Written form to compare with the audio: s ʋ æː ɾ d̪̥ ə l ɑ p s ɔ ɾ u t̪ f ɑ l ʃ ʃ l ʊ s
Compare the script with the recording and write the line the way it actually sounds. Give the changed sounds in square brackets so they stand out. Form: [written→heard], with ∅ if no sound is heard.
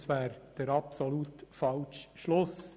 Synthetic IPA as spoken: s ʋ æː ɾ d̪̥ ə [l→ɾ] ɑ p s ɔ [ɾ→l] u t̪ f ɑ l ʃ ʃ l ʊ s